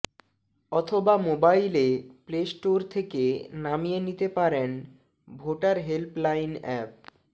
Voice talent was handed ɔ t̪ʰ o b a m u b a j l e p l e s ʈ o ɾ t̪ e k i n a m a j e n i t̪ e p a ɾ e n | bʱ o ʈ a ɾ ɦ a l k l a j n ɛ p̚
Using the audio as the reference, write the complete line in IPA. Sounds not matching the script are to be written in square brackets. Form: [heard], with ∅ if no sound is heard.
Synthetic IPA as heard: ɔ t̪ʰ o b a m [o] b a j l e p l e s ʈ o ɾ [t̪ʰ] e k [e] n a m [i] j e n i t̪ e p a ɾ e n | bʱ o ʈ a ɾ ɦ [e] l [p] l a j n ɛ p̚